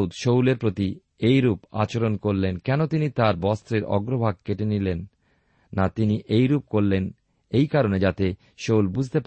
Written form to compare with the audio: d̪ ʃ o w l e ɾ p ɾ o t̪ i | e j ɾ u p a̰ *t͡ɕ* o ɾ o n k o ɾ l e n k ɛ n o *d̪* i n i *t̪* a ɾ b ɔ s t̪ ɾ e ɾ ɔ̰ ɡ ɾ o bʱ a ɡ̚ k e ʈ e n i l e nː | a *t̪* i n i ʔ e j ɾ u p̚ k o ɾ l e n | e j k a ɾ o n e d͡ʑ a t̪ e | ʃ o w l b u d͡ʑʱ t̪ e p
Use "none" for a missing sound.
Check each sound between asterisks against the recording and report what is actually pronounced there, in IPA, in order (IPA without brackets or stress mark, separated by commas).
t͡ɕ, t̪, t̪, t̪